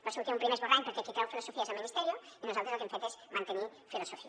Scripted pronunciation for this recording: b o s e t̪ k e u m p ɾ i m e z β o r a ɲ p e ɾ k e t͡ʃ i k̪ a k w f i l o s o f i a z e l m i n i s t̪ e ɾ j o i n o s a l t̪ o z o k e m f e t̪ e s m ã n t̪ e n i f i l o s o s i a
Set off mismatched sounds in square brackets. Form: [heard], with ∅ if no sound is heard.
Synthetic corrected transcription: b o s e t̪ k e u m p ɾ i m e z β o r a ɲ p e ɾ k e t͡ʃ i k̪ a [∅] w f i l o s o f i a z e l m i n i s t̪ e ɾ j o i n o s a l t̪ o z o k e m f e t̪ e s m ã n t̪ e n i f i l o s o [f] i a

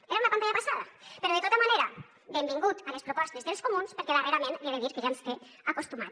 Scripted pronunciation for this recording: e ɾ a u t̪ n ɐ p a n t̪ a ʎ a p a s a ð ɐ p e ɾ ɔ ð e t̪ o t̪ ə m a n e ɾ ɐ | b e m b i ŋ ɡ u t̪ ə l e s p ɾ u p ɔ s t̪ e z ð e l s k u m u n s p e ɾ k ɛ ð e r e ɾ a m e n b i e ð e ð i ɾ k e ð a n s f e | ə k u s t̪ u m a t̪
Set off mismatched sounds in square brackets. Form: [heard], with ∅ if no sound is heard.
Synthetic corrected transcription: e ɾ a u [∅] n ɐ p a n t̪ a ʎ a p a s a ð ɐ p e ɾ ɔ ð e t̪ o t̪ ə m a n e ɾ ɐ | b e m b i ŋ ɡ u t̪ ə l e s p ɾ u p ɔ s t̪ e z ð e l s k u m u n s p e ɾ k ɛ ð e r e ɾ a m e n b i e ð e ð i ɾ k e [ʒ] a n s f e | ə k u s t̪ u m a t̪

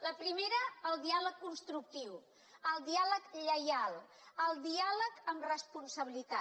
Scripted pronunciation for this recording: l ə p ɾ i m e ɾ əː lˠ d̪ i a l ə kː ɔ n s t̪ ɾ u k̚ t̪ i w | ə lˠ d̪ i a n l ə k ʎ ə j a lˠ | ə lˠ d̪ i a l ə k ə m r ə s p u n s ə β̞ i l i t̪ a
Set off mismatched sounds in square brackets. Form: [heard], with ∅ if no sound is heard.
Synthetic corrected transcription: l ə p ɾ i m e ɾ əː lˠ d̪ i a l ə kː [u] n s t̪ ɾ u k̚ t̪ i w | ə lˠ d̪ i a [∅] l ə k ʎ ə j a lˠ | ə lˠ d̪ i a l ə k ə m r ə s p u n s ə β̞ i l i t̪ a

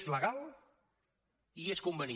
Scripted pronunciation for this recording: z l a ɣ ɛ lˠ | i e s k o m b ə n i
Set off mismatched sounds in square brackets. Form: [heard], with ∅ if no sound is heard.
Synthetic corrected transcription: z l [ə] ɣ [a] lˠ | i e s k [u] m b ə n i

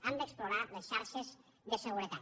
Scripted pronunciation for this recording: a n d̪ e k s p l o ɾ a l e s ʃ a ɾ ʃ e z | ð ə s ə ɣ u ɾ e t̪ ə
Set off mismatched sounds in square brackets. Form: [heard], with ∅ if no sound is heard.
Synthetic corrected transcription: a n d̪ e k s p l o ɾ a l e s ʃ a ɾ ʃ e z | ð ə s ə ɣ u ɾ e t̪ [a]

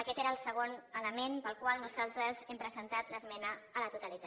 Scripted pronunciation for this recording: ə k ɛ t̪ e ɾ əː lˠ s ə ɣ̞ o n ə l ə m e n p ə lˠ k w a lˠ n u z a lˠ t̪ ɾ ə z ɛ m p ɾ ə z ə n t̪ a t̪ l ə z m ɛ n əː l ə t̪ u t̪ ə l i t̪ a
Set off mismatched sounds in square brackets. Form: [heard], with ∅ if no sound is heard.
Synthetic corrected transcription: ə k ɛ t̪ e ɾ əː lˠ s ə ɣ̞ o n ə l ə m e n p ə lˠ k w a lˠ n u z a lˠ t̪ ɾ ə z ɛ m p ɾ ə z ə n t̪ a t̪ l ə z m ɛ n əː l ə t̪ u t̪ ə l i t̪ a

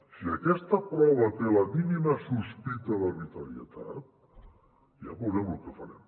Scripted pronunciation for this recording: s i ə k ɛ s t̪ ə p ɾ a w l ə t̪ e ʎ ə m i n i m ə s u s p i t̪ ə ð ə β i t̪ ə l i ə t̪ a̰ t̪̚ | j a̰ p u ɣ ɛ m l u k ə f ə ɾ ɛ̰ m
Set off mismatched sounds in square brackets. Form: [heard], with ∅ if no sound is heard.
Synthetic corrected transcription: s i ə k ɛ s t̪ ə p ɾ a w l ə t̪ e [l] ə m i n i m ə s u s p i t̪ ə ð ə β i t̪ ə [ɾ] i ə t̪ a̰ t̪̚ | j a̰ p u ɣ ɛ m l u k ə f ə ɾ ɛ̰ m

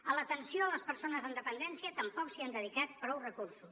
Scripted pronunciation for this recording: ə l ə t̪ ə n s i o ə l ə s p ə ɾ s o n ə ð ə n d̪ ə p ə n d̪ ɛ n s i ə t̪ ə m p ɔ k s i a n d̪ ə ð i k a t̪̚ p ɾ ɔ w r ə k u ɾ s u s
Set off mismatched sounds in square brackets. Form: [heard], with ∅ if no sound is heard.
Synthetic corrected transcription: ə l ə t̪ ə n s i o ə l ə s p ə ɾ s o n ə [z] ə n d̪ ə p ə n d̪ ɛ n s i ə t̪ ə m p ɔ k s i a n d̪ ə ð i k a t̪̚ p ɾ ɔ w r ə k u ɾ s u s

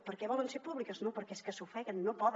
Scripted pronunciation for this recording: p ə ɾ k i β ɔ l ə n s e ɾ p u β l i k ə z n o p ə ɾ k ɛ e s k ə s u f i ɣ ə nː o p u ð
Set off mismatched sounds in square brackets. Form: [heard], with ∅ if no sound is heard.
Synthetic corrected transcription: p ə ɾ k [ɛ] β ɔ l ə n s e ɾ p u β l i k ə z n o p ə ɾ k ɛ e s k ə s u f [ɛ] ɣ ə nː o p [ɔ] ð

